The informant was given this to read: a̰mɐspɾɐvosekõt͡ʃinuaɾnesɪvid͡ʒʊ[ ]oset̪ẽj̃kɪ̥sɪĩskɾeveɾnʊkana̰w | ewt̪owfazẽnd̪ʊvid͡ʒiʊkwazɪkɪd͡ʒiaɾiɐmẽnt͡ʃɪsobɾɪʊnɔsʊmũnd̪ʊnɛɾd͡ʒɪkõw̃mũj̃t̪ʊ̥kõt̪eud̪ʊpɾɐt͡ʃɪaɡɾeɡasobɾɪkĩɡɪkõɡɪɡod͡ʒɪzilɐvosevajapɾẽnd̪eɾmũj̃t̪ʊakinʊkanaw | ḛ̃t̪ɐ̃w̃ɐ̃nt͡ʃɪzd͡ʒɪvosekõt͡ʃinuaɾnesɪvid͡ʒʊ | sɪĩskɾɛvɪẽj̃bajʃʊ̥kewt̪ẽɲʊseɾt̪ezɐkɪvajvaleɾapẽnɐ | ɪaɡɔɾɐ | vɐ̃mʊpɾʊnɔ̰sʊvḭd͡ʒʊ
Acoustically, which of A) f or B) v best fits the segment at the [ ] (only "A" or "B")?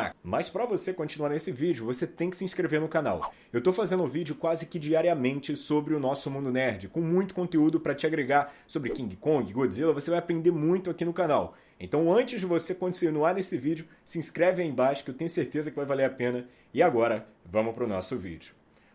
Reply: B